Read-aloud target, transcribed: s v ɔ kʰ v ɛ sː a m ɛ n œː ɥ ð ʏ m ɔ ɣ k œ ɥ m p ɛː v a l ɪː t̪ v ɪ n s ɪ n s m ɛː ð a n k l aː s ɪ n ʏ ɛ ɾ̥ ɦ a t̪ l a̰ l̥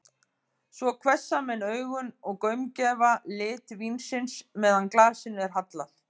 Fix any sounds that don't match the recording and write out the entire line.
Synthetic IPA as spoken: s v ɔ kʰ v ɛ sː a m ɛ n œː ɥ ɣ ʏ n ɔ ɣ k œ ɥ m c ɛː v a l ɪː t̪ v i n s ɪ n s m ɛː ð a n k l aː s ɪ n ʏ ɛ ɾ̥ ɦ a t̪ l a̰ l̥

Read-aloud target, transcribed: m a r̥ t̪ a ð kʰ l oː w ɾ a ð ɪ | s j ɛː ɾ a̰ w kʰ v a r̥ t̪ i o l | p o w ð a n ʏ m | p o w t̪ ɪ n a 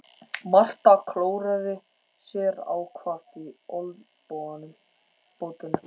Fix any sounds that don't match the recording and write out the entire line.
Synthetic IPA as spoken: m a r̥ t̪ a kʰ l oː w ɾ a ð ɪ | s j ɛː ɾ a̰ w kʰ v a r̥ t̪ i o l | p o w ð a n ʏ m | p o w t̪ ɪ n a

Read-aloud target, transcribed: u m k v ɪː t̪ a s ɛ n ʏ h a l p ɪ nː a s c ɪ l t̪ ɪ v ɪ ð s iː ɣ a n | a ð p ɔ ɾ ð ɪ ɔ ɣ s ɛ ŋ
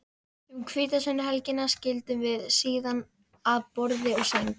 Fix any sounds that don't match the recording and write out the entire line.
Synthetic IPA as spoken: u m kʰ v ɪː t̪ a s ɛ n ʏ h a l c ɪ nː a s c ɪ l t̪ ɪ v ɪ ð s iː ð a n | a ð p ɔ ɾ ð ɪ ɔ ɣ s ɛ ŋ

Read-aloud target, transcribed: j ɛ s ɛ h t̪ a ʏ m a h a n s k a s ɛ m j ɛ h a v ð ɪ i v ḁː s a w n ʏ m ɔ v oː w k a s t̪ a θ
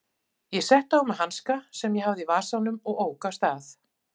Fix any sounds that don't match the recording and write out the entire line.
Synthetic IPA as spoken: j ɛ s ɛ h t̪ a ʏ m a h a n s k a s ɛ m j ɛ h a v ð ɪ i v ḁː s a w n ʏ m ɔ ɣ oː w k a s t̪ a θ

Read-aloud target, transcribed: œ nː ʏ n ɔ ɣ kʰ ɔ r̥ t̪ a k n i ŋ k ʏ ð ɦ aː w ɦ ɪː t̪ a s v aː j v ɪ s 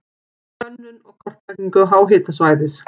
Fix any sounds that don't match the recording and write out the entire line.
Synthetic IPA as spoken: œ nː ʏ n ɔ ɣ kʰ ɔ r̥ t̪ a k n i ŋ k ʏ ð ɦ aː w ɦ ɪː t̪ a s v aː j ð ɪ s

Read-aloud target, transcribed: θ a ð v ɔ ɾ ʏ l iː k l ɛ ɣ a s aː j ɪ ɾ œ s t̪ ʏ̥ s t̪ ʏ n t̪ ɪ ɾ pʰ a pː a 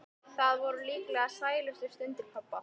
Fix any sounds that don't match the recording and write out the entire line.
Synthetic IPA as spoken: θ a ð v ɔ ɾ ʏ l iː k l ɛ ɣ a s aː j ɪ l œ s t̪ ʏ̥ s t̪ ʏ n t̪ ɪ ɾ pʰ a pː a

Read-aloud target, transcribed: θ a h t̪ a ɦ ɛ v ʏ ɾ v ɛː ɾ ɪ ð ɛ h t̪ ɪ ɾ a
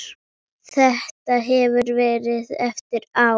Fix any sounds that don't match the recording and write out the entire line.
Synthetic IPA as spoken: θ ɛ h t̪ a ɦ ɛ v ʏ ɾ v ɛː ɾ ɪ ð ɛ f t̪ ɪ ɾ a

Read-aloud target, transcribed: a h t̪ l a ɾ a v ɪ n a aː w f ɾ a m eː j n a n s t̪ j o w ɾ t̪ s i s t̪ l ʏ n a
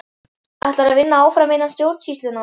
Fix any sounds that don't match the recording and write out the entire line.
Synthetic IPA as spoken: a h t̪ l a ɾ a v ɪ nː a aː w f ɾ a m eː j n a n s t̪ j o w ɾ t̪ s i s t̪ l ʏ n a

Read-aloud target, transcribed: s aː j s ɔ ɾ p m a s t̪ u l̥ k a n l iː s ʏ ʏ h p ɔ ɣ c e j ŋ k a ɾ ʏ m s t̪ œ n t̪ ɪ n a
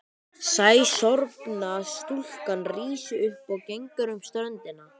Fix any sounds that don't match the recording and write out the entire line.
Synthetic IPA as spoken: s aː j s ɔ ɾ p n a s t̪ u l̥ k a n r iː s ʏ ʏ h p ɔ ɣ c e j ŋ k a ɾ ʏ m s t̪ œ n t̪ ɪ n a

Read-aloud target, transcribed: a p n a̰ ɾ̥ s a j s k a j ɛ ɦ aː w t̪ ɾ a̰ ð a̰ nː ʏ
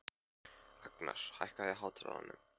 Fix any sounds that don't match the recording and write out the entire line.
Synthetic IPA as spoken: a k n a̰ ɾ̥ h a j h k a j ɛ ɦ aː w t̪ ɾ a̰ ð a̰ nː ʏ

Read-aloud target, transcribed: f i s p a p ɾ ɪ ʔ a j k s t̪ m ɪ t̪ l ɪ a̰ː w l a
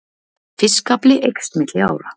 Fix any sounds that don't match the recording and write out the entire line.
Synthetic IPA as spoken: f ɪ s k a p l ɪ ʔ e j k s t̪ m ɪ t̪ l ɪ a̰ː w ɾ a

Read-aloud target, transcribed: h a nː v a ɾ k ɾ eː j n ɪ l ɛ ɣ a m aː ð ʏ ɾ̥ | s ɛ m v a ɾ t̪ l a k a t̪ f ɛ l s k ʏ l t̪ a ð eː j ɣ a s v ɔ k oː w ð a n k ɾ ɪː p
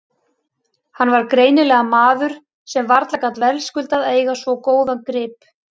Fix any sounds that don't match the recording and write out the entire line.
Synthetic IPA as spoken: h a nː v a ɾ k ɾ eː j n ɪ l ɛ ɣ a m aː ð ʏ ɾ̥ | s ɛ m v a ɾ t̪ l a k a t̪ v ɛ l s k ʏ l t̪ a ð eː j ɣ a s v ɔ k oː w ð a n k ɾ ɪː p

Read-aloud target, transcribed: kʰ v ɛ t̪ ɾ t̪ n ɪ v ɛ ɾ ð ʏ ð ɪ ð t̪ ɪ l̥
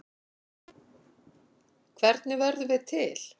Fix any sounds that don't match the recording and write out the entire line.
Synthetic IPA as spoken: kʰ v ɛ ɾ t̪ n ɪ v ɛ ɾ ð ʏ v ɪ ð t̪ʰ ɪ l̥

